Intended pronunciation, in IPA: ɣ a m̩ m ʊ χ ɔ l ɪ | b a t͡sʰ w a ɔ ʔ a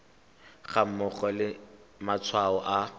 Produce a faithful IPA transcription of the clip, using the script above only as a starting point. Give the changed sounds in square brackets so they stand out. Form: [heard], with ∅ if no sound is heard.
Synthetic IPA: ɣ a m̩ m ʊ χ ɔ l ɪ | [m] a t͡sʰ w a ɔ ʔ a